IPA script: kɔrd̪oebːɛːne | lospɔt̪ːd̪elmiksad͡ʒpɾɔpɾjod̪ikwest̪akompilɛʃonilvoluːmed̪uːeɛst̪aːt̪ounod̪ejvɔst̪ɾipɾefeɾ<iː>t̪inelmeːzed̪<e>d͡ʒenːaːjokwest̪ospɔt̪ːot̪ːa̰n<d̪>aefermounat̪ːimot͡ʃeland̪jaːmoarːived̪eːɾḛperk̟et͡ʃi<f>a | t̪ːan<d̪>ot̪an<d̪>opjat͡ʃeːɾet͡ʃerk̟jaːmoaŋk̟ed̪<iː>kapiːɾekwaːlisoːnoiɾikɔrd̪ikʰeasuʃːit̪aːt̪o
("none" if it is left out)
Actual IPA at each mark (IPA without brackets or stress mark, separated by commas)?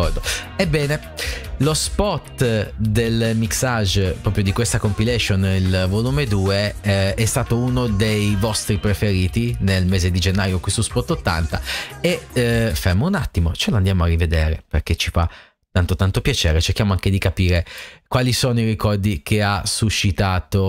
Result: iː, i, t̪, f, t̪, t̪, i